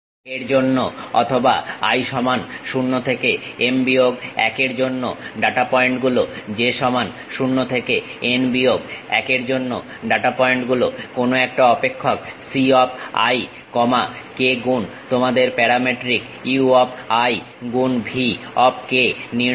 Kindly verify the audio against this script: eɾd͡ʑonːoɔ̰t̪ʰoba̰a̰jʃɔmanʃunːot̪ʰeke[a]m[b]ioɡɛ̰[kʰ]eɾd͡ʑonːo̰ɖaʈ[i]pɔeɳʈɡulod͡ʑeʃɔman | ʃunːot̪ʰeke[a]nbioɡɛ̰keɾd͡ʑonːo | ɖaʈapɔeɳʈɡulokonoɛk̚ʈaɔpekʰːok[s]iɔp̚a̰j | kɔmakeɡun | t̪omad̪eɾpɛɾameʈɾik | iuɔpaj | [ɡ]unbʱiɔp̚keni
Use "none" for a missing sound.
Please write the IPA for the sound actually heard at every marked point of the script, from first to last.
e, b, k, a, e, s, ɡ

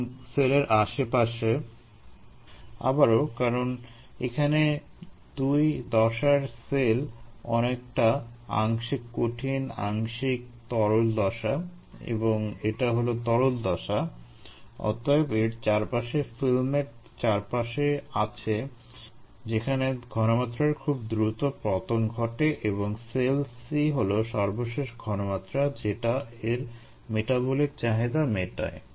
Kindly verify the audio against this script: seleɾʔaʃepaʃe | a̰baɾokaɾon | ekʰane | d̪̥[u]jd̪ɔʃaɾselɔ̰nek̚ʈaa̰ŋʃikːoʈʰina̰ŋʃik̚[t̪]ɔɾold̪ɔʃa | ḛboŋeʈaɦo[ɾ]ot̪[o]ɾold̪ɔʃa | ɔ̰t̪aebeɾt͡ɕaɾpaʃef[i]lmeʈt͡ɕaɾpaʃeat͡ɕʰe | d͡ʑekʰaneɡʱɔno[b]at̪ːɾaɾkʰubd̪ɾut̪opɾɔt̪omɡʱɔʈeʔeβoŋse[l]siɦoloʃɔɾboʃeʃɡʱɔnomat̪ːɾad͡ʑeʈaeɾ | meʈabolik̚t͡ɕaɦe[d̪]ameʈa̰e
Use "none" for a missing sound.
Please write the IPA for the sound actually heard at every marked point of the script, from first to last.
u, t̪, l, ɔ, i, m, l, d̪

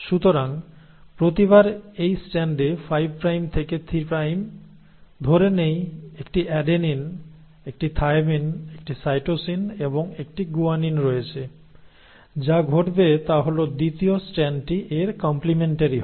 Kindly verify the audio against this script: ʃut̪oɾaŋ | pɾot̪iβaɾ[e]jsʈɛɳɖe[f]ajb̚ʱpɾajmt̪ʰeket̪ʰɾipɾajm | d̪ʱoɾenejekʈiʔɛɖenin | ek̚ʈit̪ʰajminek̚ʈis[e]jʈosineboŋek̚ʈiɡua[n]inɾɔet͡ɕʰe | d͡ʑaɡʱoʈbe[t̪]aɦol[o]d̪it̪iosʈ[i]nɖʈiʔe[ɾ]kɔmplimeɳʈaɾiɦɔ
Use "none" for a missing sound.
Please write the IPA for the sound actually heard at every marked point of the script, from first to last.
e, f, a, n, t̪, o, ɛ, ɾ

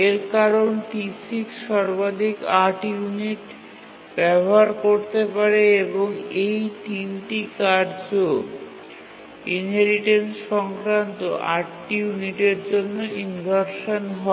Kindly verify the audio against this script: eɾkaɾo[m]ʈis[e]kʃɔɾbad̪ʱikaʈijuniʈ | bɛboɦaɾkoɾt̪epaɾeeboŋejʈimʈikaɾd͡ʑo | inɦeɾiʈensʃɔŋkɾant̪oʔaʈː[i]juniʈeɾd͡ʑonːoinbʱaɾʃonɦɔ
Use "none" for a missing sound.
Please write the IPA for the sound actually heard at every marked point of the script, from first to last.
n, i, i

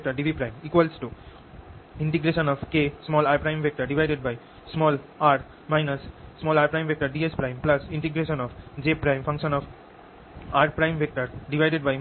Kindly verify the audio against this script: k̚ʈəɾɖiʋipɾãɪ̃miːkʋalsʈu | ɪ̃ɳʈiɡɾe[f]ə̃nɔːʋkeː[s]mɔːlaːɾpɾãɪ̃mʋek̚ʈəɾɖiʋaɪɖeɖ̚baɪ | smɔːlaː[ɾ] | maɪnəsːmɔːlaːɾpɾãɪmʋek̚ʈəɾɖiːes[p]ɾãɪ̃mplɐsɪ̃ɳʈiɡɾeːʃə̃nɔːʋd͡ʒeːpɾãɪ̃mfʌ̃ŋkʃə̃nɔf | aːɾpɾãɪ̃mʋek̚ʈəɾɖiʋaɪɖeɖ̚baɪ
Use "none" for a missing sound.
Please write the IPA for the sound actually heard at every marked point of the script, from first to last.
ʃ, s, ɾ, p

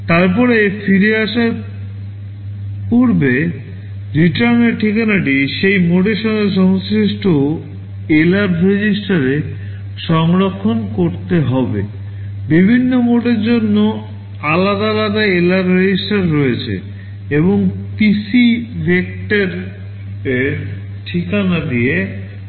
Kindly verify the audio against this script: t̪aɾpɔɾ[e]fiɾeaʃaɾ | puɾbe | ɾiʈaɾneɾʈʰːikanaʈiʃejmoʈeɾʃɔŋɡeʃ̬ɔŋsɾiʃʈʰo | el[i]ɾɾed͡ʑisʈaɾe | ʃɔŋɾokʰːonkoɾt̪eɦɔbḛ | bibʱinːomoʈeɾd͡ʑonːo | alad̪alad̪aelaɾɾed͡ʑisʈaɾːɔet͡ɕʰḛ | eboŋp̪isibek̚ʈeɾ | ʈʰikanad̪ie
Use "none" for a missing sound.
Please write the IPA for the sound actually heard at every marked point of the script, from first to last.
e, a

